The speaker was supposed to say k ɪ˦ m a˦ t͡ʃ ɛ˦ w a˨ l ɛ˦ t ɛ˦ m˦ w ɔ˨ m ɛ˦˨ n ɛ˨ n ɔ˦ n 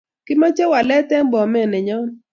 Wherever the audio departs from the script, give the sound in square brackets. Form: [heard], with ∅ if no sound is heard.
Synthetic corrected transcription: k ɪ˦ m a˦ t͡ʃ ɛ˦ w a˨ l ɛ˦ t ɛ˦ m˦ [b] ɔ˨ m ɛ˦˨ n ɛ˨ [ɲ] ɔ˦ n